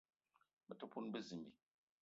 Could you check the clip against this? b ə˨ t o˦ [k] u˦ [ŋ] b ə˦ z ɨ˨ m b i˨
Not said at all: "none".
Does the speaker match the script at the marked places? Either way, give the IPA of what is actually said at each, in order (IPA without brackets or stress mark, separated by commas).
p, n